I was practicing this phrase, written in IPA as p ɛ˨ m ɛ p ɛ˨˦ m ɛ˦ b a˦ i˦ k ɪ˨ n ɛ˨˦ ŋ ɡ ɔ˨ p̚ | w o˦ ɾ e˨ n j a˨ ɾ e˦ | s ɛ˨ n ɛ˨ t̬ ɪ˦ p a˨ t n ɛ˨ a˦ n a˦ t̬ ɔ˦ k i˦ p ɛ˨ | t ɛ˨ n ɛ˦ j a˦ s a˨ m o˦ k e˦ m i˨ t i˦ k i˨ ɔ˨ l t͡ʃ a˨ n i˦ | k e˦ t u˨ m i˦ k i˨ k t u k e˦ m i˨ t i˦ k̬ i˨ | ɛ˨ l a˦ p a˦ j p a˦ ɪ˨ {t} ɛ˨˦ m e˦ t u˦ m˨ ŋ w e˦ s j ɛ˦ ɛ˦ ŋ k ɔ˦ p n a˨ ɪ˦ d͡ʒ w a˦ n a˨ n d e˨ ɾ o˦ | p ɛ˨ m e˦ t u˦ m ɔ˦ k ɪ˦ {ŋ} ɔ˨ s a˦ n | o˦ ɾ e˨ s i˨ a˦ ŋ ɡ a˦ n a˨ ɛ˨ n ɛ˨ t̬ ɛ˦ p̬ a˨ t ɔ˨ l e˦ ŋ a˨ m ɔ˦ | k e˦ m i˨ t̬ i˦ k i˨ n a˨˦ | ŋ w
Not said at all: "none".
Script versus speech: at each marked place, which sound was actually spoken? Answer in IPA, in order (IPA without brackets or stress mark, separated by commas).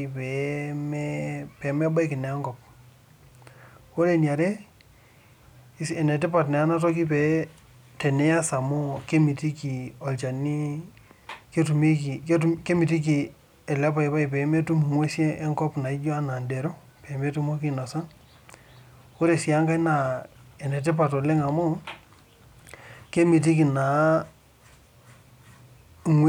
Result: p, n